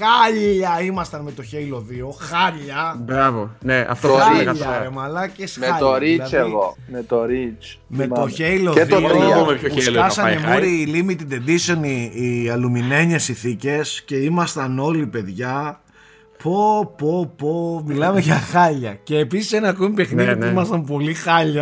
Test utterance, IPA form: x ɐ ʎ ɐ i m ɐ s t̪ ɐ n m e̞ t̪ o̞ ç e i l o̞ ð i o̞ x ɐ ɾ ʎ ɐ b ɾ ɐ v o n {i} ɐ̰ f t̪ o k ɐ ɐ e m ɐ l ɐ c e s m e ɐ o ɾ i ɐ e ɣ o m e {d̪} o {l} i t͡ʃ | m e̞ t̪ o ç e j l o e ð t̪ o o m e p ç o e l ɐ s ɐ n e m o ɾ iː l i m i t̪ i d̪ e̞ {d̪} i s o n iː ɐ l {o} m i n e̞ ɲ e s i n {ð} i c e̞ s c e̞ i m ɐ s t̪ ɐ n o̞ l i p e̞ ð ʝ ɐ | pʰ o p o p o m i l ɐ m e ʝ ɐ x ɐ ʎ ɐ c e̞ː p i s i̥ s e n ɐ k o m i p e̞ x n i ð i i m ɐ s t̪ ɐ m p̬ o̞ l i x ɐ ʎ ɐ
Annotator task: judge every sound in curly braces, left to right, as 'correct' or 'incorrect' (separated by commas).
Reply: incorrect, incorrect, incorrect, correct, incorrect, incorrect